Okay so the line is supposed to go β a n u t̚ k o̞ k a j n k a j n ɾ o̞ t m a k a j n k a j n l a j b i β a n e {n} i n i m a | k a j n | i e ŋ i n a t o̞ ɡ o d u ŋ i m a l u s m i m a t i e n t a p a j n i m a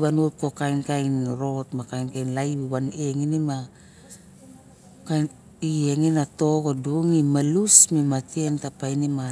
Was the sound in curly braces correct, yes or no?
no